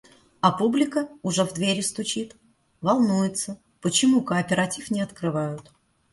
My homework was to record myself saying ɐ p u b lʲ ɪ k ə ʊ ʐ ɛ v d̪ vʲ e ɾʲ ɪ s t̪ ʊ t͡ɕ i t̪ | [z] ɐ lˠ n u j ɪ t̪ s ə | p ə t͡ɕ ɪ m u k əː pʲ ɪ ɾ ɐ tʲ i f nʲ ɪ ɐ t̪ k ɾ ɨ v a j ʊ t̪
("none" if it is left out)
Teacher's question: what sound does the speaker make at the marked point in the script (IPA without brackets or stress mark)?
v